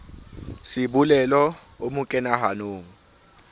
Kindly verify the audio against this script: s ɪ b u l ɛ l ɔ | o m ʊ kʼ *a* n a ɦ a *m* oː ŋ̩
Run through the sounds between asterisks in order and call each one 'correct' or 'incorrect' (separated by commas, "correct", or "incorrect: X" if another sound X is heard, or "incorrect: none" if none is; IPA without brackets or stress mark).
incorrect: ɛ, incorrect: n